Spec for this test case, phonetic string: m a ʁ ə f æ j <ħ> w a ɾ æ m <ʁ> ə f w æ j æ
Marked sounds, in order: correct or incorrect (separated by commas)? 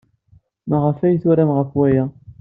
incorrect, correct